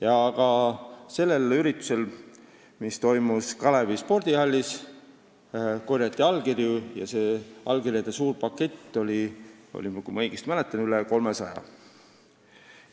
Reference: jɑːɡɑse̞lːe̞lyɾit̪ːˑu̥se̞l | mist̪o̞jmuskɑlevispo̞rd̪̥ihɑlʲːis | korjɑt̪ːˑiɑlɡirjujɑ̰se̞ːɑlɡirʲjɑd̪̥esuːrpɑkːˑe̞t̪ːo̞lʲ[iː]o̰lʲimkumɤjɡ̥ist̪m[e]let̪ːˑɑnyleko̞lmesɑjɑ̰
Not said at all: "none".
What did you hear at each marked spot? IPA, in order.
i, æ

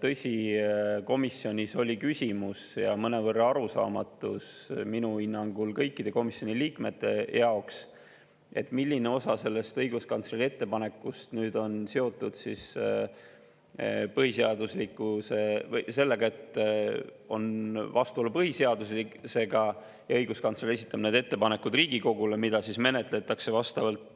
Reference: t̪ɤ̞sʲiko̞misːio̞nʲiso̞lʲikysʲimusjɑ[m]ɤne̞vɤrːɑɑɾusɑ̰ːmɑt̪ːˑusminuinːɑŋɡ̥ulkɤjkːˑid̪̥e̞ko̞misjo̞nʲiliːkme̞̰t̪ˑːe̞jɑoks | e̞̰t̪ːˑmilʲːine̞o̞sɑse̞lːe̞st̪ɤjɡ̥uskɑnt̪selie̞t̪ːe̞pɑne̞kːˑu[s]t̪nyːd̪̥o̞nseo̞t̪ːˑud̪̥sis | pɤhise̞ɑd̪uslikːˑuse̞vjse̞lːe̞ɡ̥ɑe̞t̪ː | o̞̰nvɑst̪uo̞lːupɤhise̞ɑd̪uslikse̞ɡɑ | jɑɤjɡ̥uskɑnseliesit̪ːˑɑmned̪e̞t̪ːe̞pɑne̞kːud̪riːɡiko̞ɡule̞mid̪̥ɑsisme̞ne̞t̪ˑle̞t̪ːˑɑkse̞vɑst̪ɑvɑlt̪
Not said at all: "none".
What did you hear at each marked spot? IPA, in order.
m, s

